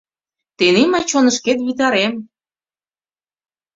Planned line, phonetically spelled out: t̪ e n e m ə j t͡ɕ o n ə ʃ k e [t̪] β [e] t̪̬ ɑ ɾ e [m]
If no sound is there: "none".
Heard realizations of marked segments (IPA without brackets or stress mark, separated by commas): t̪, i, m